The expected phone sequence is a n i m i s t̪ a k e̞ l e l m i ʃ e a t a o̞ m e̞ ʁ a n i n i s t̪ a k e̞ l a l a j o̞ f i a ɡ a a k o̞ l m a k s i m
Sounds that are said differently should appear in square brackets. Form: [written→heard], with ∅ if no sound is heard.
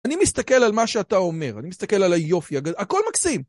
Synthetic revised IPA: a n i m i s t̪ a k e̞ l [e→a] l m [i→a] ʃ e a t a o̞ m e̞ ʁ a n i [n→m] i s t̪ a k e̞ l a l a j o̞ f i a ɡ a a k o̞ l m a k s i m

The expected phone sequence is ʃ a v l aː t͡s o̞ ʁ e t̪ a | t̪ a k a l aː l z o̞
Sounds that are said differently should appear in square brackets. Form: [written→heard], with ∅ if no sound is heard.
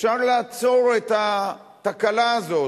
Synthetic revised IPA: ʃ a [v→ʁ] l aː t͡s o̞ ʁ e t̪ a | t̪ a k a l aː [l→∅] z o̞

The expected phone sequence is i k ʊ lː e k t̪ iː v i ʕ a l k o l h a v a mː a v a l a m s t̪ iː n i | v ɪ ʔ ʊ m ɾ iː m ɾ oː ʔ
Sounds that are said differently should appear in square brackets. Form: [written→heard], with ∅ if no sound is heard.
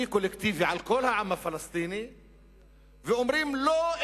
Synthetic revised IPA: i k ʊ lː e k t̪ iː v i ʕ a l k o l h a [v→ʕ] a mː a [v→f] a l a [m→∅] s t̪ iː n i | v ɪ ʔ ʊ m ɾ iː m [ɾ→l] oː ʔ

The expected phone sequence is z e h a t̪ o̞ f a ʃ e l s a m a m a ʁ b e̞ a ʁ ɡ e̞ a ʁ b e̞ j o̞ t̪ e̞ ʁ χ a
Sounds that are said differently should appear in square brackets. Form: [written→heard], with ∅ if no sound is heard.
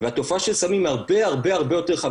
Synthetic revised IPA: [z→v] e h a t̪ o̞ f a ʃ e l s a m [a→i] m a ʁ b e̞ a ʁ [ɡ→b] e̞ a ʁ b e̞ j o̞ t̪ e̞ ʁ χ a

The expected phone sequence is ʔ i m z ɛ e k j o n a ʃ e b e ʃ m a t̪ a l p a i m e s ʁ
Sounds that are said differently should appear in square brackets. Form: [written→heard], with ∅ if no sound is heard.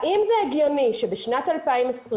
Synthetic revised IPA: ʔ i m z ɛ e [k→ɡ] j o n [a→i] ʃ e b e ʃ [m→n] a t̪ a l p a i m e s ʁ

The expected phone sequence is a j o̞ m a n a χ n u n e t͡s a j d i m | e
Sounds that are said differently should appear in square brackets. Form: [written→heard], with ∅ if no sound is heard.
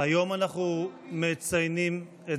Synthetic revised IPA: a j o̞ m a n a χ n u [n→m] e t͡s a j [d→n] i m | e

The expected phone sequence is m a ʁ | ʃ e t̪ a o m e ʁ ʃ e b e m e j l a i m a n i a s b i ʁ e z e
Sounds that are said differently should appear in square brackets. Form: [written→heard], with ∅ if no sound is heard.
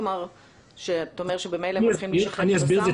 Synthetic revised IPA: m a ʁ | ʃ e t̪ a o m e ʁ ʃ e b e m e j l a i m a n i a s b i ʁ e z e

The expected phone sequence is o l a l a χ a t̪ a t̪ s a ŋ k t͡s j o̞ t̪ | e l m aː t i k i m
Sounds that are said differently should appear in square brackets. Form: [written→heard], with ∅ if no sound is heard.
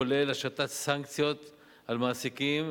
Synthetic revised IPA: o l [a→e] l a [χ→ʃ] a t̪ a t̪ s a ŋ k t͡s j o̞ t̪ | [e→a] l m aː [t→s] i k i m

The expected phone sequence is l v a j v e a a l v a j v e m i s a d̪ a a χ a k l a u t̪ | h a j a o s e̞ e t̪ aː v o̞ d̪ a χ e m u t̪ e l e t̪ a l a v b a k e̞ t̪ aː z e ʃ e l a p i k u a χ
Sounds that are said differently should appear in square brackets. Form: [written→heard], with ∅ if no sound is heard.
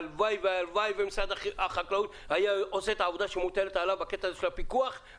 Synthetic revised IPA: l v a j v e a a l v a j v e m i s a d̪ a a χ a k l a u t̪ | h a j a o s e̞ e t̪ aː v o̞ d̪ a [χ→ʃ] e m u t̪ e l e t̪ a l a v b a k e̞ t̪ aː z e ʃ e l a p i k u a χ

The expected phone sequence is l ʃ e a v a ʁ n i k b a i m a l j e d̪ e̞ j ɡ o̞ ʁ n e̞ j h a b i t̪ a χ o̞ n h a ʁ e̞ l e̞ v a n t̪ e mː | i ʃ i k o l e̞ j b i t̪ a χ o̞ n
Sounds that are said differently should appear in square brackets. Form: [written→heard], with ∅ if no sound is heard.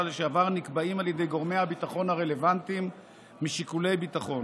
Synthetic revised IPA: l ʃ e a v a ʁ n i k b a i m a l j e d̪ e̞ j ɡ o̞ ʁ [n→m] e̞ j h a b i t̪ a χ o̞ n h a ʁ e̞ l e̞ v a n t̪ [e→i] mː | i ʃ i k [o→u] l e̞ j b i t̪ a χ o̞ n

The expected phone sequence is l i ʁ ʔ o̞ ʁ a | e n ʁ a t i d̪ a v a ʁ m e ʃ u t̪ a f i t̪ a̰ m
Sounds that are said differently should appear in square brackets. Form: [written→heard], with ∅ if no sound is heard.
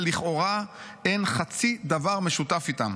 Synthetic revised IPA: l i [ʁ→χ] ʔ o̞ ʁ a | e n [ʁ→χ] a [t→t͡s] i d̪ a v a ʁ m e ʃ u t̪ a f i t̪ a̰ m

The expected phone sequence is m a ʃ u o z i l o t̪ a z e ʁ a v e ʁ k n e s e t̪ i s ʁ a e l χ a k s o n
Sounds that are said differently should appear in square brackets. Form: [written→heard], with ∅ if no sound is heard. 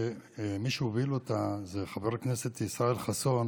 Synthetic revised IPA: m [a→i] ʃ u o [z→v] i l o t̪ a z e [ʁ→χ] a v e ʁ k n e s e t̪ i s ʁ a e l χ a [k→∅] s o n

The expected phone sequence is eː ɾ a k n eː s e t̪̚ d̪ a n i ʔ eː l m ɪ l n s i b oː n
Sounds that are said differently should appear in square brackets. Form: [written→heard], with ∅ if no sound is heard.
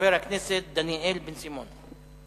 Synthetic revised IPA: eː ɾ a k n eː s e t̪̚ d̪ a n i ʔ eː l [m→b] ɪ [l→∅] n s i [b→m] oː n

